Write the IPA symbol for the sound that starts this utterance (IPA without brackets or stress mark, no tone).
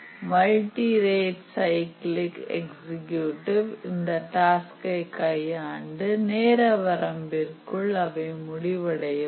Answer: m